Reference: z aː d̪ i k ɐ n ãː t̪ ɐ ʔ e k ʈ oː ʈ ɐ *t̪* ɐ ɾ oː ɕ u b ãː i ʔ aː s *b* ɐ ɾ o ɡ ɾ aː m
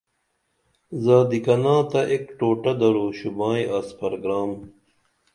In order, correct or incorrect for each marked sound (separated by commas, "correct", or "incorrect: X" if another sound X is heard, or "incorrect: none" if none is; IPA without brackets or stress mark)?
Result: incorrect: d̪, incorrect: p